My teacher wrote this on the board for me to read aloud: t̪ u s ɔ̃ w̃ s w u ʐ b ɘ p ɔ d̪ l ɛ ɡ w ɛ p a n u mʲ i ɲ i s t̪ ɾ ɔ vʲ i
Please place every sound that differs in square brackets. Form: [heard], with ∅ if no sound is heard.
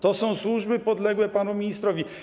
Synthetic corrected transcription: t̪ [ɔ] s ɔ̃ w̃ s w u ʐ b ɘ p ɔ d̪ l ɛ ɡ w ɛ p a n u mʲ i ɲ i s t̪ ɾ ɔ vʲ i

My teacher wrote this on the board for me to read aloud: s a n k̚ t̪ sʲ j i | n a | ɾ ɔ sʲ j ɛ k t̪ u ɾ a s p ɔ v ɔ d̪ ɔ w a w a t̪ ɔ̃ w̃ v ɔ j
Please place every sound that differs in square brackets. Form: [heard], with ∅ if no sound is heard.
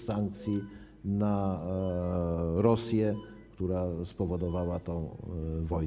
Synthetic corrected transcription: s a [ŋ] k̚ t̪ sʲ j i | n a | ɾ ɔ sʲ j ɛ k t̪ u ɾ a s p ɔ v ɔ d̪ ɔ [v] a w a t̪ ɔ̃ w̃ v ɔ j

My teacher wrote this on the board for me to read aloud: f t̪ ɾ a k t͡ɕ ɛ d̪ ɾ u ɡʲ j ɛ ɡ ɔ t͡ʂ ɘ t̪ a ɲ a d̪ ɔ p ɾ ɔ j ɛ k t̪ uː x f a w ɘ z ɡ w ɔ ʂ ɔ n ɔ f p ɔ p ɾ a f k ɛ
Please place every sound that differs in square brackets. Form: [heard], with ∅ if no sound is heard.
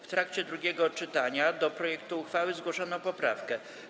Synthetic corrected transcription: f t̪ ɾ a k t͡ɕ ɛ d̪ ɾ u ɡʲ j ɛ ɡ ɔ t͡ʂ ɘ t̪ a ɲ a d̪ ɔ p ɾ ɔ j ɛ k t̪ uː x f a w ɘ z ɡ w ɔ ʂ ɔ n ɔ [∅] p ɔ p ɾ a f k ɛ

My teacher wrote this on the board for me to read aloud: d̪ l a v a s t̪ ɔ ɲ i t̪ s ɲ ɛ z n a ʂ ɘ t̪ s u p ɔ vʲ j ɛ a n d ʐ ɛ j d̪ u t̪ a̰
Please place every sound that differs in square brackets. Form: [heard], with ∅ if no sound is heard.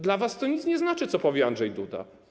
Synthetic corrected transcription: d̪ l a v a s t̪ ɔ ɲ i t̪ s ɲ ɛ z n a [t͡ʂ] ɘ t̪ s [ɔ] p ɔ vʲ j ɛ a n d ʐ ɛ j d̪ u [d̪] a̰

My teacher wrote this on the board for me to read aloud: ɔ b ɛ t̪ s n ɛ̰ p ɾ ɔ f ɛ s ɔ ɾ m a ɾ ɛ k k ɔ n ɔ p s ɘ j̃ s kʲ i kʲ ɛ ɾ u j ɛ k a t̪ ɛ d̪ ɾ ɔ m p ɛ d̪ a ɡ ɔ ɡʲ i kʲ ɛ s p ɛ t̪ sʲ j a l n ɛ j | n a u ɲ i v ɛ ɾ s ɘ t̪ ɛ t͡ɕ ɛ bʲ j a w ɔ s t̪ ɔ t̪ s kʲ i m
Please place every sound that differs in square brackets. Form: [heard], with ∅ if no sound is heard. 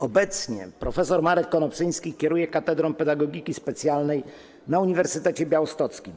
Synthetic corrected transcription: ɔ b ɛ t̪ s [ɲ] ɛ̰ p ɾ ɔ f ɛ s ɔ ɾ m a ɾ ɛ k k ɔ n ɔ p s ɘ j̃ s kʲ i kʲ ɛ ɾ u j ɛ k a t̪ ɛ d̪ ɾ ɔ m p ɛ d̪ a ɡ ɔ ɡʲ i kʲ [i] s p ɛ t̪ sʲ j a l n ɛ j | n a u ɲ i v ɛ ɾ s ɘ t̪ ɛ t͡ɕ ɛ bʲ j a w ɔ s t̪ ɔ t̪ s kʲ i m

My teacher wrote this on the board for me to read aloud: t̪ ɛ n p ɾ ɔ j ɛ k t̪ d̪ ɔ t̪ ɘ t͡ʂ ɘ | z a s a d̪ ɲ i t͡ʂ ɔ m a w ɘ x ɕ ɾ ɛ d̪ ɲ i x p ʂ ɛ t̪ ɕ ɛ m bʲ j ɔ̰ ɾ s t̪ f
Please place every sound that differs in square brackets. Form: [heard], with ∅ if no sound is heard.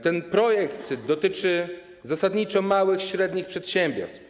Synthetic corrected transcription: t̪ ɛ n p ɾ ɔ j ɛ k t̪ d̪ ɔ t̪ ɘ t͡ʂ ɘ | z a s a d̪ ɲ i t͡ʂ ɔ m a w ɘ x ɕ ɾ ɛ d̪ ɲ i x p ʂ ɛ t̪ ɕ ɛ m bʲ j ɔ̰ ɾ s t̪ f

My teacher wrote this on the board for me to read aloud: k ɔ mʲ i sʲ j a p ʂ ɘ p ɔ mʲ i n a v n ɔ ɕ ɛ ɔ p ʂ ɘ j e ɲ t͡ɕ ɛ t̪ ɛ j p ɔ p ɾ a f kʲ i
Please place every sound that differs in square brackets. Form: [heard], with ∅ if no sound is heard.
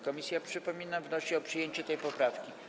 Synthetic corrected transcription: k ɔ mʲ i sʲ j a p ʂ ɘ p ɔ mʲ i n a v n ɔ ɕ ɛ ɔ p ʂ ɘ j e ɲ t͡ɕ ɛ t̪ ɛ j p ɔ p ɾ a f kʲ i

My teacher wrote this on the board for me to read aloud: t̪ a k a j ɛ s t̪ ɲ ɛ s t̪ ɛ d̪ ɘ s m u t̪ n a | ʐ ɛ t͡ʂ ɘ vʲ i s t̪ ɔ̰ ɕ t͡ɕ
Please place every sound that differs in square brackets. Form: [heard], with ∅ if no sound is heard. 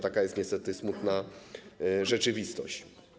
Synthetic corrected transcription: t̪ a k a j ɛ s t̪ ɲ ɛ s t̪ ɛ [t̪] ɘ s m u t̪ n a | ʐ ɛ t͡ʂ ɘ vʲ i s t̪ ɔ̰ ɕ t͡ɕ

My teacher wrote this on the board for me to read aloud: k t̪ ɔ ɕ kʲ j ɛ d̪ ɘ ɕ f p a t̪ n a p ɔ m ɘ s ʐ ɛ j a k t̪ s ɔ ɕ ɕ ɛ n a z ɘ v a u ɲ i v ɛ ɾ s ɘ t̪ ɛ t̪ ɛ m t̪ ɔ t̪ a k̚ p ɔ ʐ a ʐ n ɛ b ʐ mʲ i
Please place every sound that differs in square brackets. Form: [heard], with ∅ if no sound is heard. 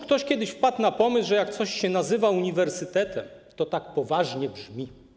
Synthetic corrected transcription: k t̪ ɔ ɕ kʲ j ɛ d̪ ɘ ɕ f p a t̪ n a p ɔ m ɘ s ʐ ɛ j a k t̪ s ɔ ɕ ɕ ɛ n a z ɘ v a u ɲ i v ɛ ɾ s ɘ t̪ ɛ t̪ ɛ m t̪ ɔ t̪ a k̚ p ɔ [v] a ʐ [ɲ] ɛ b ʐ mʲ i

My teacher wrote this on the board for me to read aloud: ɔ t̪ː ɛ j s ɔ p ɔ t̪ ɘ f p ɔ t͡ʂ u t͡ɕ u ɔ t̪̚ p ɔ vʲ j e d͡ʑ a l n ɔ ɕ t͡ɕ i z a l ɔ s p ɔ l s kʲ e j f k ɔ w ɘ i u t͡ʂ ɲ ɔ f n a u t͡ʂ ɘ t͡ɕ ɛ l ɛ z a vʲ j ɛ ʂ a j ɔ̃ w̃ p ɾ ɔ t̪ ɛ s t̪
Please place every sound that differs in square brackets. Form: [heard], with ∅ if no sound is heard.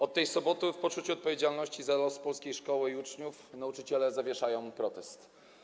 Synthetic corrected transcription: ɔ t̪ː ɛ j s ɔ [b] ɔ t̪ ɘ f p ɔ t͡ʂ u t͡ɕ u ɔ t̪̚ p ɔ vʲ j e d͡ʑ a l n ɔ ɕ t͡ɕ i z a l ɔ s p ɔ l s kʲ e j [ʂ] k ɔ w ɘ i u t͡ʂ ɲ [u] f n a u t͡ʂ ɘ t͡ɕ ɛ l ɛ z a vʲ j ɛ ʂ a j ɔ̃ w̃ p ɾ ɔ t̪ ɛ s t̪

